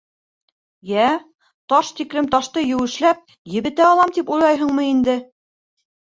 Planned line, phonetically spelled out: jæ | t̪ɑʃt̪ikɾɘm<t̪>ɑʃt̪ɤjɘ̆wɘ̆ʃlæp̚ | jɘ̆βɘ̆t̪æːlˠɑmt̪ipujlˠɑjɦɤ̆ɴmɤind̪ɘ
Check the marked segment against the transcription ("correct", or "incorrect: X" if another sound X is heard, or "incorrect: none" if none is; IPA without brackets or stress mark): correct